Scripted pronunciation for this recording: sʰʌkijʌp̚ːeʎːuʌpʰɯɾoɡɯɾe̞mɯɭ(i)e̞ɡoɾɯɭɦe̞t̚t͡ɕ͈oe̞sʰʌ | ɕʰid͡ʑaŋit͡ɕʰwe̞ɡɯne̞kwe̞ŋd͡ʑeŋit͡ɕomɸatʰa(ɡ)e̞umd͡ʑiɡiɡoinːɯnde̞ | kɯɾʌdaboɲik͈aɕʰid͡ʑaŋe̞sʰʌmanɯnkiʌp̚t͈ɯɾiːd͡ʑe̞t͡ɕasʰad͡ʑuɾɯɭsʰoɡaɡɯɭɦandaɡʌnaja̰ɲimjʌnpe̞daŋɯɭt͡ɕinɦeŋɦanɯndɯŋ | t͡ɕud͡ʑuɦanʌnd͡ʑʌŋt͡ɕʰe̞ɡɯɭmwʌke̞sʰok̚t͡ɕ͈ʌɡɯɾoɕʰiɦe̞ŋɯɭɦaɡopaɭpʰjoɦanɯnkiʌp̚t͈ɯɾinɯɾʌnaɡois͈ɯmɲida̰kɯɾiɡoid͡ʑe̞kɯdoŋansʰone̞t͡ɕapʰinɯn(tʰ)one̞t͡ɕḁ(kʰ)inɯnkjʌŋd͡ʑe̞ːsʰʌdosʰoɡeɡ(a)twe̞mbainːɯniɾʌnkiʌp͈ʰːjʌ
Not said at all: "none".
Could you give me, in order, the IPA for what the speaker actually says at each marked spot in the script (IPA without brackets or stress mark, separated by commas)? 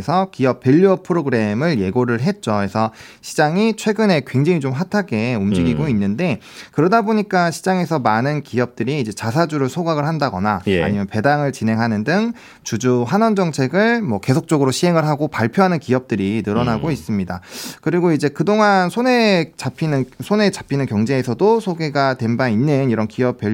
j, ɡ, sʰ, pʰ, a